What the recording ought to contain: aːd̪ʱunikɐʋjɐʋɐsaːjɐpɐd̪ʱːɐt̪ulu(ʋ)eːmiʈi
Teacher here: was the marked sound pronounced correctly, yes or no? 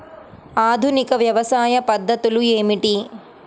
no